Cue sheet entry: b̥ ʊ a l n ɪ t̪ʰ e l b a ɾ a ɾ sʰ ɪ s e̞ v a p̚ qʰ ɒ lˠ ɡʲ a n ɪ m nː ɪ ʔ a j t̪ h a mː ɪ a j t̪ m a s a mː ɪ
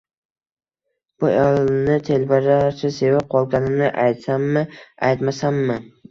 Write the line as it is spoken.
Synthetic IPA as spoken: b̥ ʊ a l n ɪ t̪ʰ e l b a ɾ a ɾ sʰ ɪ s e̞ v a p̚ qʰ ɒ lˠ ɡʲ a n ɪ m n ɪ ʔ a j t̪ s a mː ɪ a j t̪ m a s a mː ɪ

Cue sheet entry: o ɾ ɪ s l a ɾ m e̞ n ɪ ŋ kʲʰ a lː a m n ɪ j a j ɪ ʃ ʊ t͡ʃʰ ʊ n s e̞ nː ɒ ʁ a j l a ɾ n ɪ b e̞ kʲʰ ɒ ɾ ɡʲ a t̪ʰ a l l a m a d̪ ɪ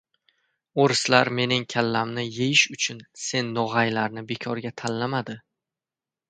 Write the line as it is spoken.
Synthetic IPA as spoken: o ɾ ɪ s l a ɾ m e̞ n ɪ ŋ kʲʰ a lː a m n ɪ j e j ɪ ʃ ʊ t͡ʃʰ ʊ n s e̞ nː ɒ ʁ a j l a ɾ n ɪ b e̞ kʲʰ ɒ ɾ ɡʲ a t̪ʰ a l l a m a d̪ ɪ

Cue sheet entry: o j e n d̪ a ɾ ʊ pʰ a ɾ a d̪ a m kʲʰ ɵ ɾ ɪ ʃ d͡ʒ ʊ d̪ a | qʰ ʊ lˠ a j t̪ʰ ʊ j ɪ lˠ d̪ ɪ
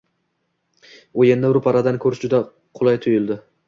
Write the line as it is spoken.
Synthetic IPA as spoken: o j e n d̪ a ɾ ʊ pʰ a ɾ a d̪ a n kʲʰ ɵ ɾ ɪ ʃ d͡ʒ ʊ d̪ a | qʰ ʊ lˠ a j t̪ʰ ʊ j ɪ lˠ d̪ ɪ

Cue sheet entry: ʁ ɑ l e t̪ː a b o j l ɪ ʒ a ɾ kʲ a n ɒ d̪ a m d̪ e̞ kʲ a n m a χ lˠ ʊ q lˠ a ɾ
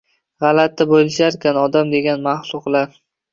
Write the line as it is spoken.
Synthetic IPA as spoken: ʁ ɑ l a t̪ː a b o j l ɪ ʃ a ɾ kʲ a n ɒ d̪ a m d̪ e̞ ɡʲ a n m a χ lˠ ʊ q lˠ a ɾ

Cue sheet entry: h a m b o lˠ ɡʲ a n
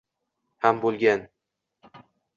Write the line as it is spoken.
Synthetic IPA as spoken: h a m b o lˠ ɡʲ a n

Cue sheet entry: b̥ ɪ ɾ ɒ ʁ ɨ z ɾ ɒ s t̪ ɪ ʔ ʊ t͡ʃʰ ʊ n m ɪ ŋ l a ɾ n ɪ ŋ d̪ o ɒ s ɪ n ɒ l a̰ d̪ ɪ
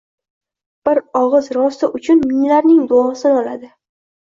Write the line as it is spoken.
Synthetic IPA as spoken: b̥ ɪ ɾ ɒ ʁ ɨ z ɾ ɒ s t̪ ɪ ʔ ʊ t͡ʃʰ ʊ n m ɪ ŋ l a ɾ n ɪ ŋ d̪ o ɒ s ɪ n ɒ l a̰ d̪ ɪ

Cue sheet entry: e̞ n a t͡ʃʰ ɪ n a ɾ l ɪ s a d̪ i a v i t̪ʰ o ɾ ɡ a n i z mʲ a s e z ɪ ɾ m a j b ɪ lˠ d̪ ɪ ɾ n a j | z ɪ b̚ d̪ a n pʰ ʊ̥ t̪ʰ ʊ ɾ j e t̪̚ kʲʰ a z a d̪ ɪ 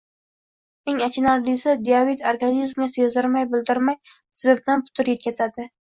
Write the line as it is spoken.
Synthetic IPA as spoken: e̞ ŋ a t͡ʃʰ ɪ n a ɾ l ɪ s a d̪ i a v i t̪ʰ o ɾ ɡ a n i z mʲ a s e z ɪ ɾ m a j b ɪ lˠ d̪ ɪ ɾ m a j | z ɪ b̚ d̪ a n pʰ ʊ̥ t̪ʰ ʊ ɾ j e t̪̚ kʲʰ a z a d̪ ɪ

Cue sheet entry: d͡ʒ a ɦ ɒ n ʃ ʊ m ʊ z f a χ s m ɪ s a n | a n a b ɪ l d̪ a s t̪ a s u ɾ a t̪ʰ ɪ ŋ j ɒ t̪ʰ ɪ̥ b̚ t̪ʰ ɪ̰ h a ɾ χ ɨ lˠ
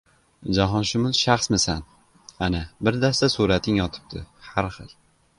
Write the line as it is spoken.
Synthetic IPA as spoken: d͡ʒ a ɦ ɒ n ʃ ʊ m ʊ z ʃ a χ s m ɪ s a n | a n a b ɪ ɾ d̪ a s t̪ a s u ɾ a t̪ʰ ɪ ŋ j ɒ t̪ʰ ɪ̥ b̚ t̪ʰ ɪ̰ h a ɾ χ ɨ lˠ

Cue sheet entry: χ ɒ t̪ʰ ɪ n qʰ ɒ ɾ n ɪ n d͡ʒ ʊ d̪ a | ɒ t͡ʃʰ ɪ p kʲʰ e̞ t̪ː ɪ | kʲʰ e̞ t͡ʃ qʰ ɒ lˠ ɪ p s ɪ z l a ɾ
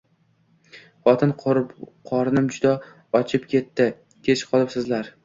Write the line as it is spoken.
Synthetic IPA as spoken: χ ɒ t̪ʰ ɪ n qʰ ɒ ɾ n ɪ m d͡ʒ ʊ d̪ a | ɒ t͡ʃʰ ɪ p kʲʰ e̞ t̪ː ɪ | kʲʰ e̞ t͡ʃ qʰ ɒ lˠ ɪ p s ɪ z l a ɾ

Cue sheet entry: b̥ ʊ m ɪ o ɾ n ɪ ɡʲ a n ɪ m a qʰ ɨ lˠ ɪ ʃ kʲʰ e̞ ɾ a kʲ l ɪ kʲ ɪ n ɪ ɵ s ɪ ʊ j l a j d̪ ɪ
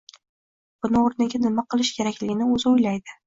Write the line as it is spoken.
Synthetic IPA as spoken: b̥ ʊ n ɪ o ɾ n ɪ ɡʲ a n ɪ m a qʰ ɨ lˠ ɪ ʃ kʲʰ e̞ ɾ a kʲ l ɪ ɡʲ ɪ n ɪ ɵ z ɪ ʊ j l a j d̪ ɪ

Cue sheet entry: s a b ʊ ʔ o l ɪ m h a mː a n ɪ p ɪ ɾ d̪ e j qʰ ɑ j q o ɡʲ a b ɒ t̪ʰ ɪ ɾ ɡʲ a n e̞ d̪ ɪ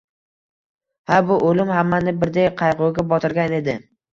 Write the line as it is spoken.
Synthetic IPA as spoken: h a b ʊ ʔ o l ɪ m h a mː a n ɪ b ɪ ɾ d̪ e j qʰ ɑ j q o ɡʲ a b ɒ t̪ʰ ɪ ɾ ɡʲ a n e̞ d̪ ɪ

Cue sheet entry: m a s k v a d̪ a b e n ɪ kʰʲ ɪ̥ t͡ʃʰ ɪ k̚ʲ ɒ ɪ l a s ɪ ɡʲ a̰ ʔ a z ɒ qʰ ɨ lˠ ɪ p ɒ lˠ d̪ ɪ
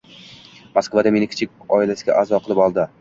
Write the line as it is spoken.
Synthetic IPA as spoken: m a s k v a d̪ a m e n ɪ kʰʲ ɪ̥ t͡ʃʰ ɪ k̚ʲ ɒ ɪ l a s ɪ ɡʲ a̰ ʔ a z ɒ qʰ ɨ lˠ ɪ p ɒ lˠ d̪ ɪ

